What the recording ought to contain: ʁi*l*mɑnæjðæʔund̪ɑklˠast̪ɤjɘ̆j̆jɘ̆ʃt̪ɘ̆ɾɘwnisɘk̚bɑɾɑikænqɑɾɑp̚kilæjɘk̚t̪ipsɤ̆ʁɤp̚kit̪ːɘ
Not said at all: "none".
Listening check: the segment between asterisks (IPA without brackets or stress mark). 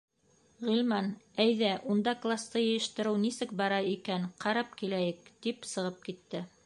l